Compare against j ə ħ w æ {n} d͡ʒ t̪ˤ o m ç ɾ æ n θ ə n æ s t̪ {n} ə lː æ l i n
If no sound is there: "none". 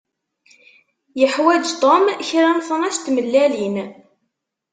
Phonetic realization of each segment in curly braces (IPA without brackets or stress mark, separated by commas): none, m